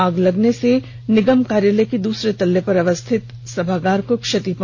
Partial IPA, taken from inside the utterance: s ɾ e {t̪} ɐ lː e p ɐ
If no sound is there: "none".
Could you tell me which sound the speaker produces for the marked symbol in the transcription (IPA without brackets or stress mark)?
t̪